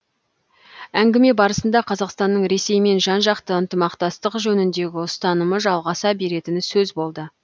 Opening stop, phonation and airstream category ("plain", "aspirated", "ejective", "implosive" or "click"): plain